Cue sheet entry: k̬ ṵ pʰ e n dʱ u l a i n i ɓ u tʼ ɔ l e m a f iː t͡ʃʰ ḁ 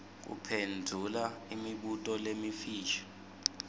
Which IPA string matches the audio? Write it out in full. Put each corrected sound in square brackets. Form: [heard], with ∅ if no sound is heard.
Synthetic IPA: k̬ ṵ pʰ e n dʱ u l a i [m] i ɓ u tʼ ɔ l e m [i] f iː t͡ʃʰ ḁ